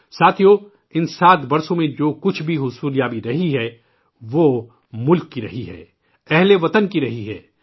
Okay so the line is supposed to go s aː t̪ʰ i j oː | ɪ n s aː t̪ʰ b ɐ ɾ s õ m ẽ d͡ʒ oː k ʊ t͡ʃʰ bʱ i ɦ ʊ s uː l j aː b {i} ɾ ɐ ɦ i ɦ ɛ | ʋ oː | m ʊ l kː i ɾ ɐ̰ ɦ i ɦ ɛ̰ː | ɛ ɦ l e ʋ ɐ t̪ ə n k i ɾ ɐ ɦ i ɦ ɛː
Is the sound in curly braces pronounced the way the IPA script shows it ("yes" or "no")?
yes